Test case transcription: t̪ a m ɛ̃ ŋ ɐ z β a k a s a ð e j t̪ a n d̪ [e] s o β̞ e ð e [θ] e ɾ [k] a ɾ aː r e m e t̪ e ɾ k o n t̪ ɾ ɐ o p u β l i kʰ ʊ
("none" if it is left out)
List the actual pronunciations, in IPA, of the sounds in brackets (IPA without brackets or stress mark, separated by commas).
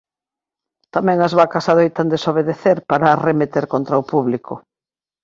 e, θ, p